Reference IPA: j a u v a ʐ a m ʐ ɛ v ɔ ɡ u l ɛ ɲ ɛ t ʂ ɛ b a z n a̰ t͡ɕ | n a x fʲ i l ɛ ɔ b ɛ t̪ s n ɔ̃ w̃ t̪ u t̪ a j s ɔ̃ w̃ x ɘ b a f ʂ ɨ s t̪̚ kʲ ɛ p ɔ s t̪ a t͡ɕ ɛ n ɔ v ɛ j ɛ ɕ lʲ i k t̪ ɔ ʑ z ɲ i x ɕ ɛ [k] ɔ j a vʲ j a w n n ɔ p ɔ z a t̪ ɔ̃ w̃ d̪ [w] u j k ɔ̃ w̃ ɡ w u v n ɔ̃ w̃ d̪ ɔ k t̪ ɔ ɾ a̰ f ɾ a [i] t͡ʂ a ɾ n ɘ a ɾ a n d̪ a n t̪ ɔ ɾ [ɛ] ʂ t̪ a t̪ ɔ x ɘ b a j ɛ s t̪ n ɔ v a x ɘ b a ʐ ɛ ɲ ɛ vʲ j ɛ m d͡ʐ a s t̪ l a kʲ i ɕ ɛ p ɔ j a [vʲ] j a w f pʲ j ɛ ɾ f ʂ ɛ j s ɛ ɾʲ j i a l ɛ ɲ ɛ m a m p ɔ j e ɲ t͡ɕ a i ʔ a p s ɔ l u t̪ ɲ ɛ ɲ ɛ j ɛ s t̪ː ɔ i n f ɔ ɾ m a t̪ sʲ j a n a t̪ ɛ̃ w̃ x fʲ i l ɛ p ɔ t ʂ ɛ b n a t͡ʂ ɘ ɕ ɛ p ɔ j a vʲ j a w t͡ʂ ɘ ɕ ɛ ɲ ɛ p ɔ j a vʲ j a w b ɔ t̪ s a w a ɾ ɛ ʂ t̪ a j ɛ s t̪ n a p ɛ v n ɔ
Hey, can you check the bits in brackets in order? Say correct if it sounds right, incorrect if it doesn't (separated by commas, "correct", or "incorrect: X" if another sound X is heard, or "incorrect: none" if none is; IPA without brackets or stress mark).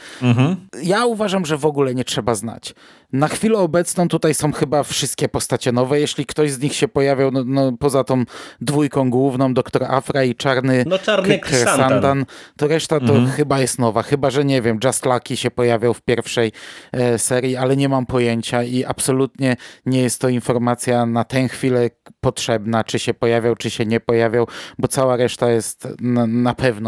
incorrect: p, incorrect: v, correct, correct, correct